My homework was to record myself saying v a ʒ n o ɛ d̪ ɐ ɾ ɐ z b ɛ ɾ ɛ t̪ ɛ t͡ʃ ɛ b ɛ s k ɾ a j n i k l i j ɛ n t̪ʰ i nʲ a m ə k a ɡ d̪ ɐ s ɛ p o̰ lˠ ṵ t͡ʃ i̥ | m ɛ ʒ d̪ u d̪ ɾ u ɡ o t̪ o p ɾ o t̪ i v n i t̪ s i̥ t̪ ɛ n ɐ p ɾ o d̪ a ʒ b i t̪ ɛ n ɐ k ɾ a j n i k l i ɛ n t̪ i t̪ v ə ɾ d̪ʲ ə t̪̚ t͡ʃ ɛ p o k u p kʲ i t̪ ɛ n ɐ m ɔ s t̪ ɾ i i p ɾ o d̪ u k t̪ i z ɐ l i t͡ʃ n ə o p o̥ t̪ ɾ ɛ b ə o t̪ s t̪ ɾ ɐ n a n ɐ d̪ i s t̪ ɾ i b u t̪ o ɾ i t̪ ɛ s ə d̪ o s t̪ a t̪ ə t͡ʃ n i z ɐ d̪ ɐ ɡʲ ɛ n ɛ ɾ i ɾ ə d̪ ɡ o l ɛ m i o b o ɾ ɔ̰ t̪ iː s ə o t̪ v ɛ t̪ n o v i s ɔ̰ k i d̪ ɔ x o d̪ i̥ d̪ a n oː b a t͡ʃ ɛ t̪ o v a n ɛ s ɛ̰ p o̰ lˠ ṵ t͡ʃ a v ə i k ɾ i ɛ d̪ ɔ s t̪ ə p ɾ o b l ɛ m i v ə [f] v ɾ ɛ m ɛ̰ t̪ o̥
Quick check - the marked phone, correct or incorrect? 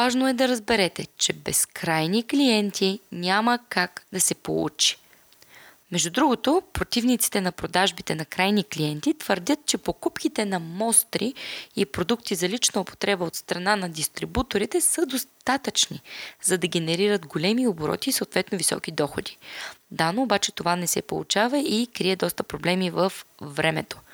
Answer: correct